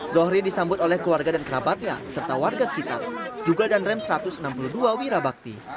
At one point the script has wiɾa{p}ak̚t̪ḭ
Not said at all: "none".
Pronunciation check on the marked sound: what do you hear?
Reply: b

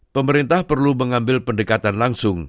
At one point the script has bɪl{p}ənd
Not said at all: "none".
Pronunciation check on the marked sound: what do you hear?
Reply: p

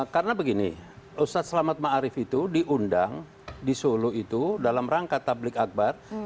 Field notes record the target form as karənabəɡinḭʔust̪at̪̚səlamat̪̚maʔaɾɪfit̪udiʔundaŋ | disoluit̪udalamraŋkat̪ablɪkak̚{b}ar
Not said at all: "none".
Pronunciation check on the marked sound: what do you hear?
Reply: b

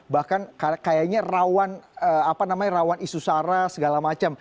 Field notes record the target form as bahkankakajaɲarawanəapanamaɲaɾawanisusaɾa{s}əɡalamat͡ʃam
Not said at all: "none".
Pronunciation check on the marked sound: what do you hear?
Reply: s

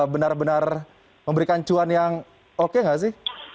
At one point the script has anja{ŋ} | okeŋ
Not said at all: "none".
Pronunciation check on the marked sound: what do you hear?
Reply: ŋ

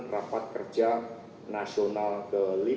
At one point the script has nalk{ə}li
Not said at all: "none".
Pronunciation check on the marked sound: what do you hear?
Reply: ə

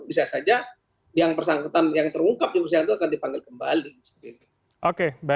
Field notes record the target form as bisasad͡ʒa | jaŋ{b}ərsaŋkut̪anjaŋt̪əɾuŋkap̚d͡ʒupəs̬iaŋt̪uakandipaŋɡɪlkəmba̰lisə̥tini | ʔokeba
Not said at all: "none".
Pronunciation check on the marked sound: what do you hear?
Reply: p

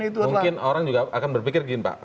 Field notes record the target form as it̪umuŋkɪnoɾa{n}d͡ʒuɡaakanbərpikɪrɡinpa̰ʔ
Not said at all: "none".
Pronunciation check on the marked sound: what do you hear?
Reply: ŋ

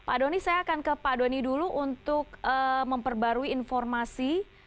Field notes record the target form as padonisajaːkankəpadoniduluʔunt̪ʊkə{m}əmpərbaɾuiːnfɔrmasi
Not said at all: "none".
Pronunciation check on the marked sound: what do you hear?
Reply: m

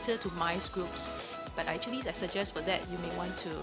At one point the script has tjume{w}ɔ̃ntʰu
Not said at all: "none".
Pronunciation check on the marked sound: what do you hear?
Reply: w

